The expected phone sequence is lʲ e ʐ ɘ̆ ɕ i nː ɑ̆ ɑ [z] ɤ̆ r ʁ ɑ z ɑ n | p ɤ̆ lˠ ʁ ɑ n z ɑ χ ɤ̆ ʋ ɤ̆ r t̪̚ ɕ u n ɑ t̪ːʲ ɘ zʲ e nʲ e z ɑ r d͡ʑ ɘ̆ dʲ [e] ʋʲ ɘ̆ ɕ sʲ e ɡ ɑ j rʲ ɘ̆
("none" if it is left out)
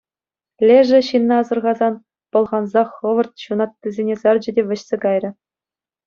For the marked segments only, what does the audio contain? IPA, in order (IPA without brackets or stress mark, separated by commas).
z, e